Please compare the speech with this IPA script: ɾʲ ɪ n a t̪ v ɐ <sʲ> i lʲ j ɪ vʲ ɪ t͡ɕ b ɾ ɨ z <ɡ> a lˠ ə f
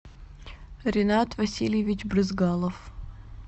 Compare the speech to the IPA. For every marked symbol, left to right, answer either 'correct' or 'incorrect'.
correct, correct

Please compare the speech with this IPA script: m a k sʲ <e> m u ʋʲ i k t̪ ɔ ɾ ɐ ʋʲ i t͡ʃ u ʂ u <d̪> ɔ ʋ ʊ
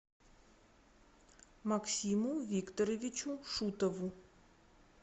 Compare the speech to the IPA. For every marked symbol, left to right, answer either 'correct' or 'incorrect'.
incorrect: i, incorrect: t̪

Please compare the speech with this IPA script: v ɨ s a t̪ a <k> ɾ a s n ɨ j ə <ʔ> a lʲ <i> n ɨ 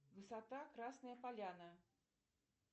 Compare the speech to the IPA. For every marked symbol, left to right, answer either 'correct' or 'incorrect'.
correct, incorrect: p, incorrect: a

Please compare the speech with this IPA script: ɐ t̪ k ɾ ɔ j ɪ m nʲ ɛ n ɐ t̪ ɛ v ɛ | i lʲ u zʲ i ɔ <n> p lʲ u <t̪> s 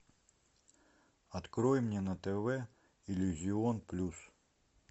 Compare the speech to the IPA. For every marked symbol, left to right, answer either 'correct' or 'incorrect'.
correct, incorrect: none

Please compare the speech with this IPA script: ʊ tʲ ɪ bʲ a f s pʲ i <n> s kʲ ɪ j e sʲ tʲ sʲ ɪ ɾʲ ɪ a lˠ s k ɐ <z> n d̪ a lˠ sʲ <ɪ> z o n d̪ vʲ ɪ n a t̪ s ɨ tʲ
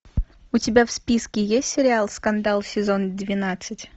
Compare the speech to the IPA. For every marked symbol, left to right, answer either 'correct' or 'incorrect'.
incorrect: none, incorrect: none, correct

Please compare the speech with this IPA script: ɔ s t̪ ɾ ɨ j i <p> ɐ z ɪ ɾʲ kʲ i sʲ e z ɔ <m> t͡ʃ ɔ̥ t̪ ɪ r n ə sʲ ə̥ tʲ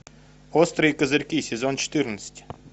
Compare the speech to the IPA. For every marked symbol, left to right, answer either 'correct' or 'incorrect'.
incorrect: k, incorrect: n

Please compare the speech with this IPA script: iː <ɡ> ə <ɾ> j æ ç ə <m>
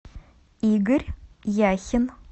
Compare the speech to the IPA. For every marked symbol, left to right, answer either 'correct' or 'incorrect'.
correct, correct, incorrect: n

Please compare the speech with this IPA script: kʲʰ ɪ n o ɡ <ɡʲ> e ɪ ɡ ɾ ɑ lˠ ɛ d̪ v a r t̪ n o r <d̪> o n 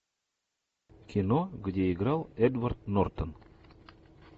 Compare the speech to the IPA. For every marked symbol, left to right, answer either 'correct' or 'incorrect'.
incorrect: dʲ, incorrect: t̪

